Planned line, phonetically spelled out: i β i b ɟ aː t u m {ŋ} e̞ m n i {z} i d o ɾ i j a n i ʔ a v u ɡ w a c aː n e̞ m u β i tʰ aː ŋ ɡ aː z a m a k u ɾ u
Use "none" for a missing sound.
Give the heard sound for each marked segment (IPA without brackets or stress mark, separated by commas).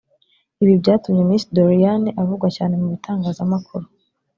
ɲ, s